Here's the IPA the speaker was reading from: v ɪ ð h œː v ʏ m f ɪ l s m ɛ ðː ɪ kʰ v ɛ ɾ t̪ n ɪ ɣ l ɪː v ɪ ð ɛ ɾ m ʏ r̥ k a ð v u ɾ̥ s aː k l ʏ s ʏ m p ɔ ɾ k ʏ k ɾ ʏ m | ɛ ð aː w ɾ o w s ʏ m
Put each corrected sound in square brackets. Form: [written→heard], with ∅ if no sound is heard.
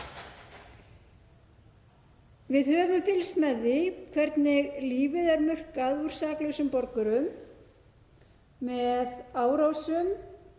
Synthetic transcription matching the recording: v ɪ ð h œː v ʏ m f ɪ l s m ɛ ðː ɪ kʰ v ɛ ɾ t̪ n ɪ ɣ l [ɪː→iː] v ɪ ð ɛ ɾ m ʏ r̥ k a ð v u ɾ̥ s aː k l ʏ s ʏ m p ɔ ɾ k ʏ [k→∅] ɾ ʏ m | ɛ ð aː w ɾ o w s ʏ m